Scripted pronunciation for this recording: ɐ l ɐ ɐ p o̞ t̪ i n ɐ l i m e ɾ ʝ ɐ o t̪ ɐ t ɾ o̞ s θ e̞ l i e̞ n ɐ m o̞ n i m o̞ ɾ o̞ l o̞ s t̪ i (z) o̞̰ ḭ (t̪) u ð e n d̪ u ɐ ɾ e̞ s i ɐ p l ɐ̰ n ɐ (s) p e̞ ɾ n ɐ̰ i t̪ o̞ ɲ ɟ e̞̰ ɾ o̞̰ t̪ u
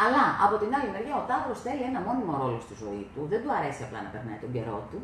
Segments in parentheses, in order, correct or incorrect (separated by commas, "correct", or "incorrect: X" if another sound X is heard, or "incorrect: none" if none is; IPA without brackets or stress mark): correct, correct, incorrect: none